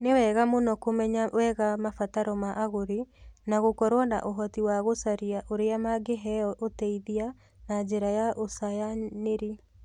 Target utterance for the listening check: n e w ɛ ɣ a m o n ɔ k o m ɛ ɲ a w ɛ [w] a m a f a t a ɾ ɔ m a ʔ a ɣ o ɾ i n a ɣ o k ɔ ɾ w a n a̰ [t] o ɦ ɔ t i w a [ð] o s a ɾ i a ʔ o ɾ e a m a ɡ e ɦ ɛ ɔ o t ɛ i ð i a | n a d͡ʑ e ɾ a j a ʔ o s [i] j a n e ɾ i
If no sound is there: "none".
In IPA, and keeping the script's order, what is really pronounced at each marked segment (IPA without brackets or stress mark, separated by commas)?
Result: ɣ, ʔ, ɣ, a